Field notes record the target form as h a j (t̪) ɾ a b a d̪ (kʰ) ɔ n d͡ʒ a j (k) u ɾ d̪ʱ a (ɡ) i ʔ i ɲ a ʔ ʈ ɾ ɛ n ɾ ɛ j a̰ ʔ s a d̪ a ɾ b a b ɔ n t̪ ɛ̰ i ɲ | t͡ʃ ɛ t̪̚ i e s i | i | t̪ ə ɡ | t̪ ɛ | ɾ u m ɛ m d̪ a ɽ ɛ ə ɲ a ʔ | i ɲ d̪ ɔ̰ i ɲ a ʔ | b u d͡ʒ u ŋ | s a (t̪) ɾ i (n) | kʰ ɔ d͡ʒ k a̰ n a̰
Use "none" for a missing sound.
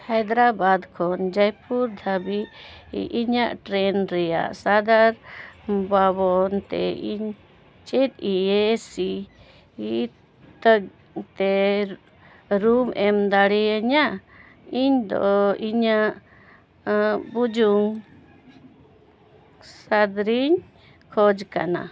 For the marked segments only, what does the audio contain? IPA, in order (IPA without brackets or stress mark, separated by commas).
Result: d̪, kʰ, p, b, d̪, ɲ